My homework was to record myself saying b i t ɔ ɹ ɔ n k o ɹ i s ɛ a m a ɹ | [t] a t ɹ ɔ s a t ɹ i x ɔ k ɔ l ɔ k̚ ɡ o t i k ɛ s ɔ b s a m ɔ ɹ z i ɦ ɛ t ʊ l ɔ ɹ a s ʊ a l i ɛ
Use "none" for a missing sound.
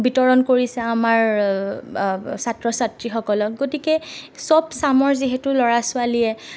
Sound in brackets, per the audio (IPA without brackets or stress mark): s